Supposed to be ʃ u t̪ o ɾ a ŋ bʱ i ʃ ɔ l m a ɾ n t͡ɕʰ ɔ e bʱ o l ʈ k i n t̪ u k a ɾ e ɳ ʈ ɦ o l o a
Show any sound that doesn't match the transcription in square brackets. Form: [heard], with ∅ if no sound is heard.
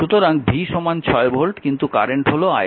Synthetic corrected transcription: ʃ u t̪ o ɾ a ŋ bʱ i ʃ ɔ [∅] m a [∅] n t͡ɕʰ ɔ e bʱ o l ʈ k i n t̪ u k a ɾ e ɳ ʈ ɦ o l o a